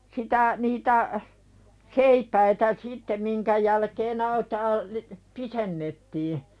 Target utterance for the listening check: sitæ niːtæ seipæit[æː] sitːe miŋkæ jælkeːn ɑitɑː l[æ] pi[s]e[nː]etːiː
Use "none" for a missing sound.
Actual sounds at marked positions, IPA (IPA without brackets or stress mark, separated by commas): æ, i, s, nː